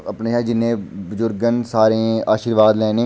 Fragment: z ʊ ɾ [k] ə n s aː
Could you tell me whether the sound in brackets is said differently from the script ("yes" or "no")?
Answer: yes